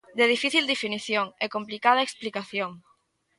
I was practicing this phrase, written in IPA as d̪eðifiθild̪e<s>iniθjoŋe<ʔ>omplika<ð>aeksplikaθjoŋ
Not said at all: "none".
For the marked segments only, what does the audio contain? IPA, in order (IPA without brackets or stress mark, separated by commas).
f, k, ð